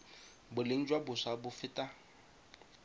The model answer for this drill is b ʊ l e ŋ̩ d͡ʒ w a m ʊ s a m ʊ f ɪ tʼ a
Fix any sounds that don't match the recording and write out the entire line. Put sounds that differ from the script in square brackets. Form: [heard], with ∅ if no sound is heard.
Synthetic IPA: b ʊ l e ŋ̩ d͡ʒ w a [b] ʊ s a [b] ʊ f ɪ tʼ a